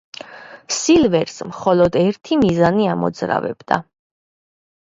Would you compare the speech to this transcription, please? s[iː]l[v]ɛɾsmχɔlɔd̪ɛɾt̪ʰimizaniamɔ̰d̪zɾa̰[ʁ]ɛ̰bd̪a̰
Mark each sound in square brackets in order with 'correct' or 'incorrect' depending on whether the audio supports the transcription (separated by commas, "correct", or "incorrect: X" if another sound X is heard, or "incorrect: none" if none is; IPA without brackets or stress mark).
incorrect: i, correct, incorrect: v